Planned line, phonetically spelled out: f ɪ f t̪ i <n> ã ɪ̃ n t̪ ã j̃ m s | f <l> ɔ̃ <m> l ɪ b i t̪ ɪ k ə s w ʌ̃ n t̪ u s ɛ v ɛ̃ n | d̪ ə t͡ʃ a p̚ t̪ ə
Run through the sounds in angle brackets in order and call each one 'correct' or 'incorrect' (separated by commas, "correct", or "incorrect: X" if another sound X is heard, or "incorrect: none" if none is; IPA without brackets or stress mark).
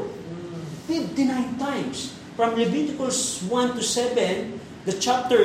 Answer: correct, incorrect: ɹ, correct